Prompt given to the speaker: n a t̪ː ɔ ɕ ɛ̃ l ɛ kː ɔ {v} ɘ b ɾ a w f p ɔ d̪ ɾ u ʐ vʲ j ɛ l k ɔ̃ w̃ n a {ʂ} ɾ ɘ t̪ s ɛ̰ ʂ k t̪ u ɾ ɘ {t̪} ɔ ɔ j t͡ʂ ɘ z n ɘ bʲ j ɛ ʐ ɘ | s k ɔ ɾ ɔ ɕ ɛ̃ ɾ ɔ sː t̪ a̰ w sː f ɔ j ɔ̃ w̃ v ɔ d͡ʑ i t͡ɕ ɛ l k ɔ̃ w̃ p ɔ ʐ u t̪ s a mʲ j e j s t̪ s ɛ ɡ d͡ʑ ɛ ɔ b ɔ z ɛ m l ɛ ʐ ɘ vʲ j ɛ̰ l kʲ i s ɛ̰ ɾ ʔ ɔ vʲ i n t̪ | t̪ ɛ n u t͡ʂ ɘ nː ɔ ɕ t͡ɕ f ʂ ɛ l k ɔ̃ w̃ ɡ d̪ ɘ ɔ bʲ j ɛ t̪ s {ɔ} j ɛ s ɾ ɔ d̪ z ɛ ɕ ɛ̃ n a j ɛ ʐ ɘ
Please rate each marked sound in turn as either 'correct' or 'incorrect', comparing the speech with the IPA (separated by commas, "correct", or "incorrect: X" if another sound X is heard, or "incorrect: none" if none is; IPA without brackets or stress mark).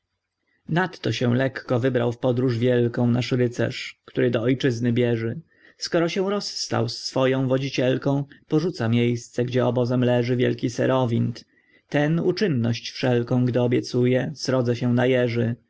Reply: correct, correct, incorrect: d̪, incorrect: u